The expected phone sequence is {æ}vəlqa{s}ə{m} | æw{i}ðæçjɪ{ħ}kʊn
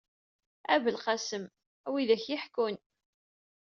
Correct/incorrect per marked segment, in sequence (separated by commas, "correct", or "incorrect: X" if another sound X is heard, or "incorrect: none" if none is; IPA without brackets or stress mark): correct, correct, correct, correct, correct